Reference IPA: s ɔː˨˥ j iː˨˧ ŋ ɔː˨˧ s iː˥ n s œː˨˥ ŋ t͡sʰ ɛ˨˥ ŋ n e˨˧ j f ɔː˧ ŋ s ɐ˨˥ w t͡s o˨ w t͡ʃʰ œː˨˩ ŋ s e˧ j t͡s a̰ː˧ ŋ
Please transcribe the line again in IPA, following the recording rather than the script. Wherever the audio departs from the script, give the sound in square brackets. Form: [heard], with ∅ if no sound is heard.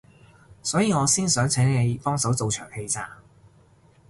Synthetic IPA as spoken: s ɔː˨˥ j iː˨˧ ŋ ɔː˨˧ s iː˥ n s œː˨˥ ŋ t͡sʰ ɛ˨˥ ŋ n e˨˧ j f [ɔː˥] ŋ s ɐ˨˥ w t͡s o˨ w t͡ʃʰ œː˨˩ ŋ [h] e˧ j t͡s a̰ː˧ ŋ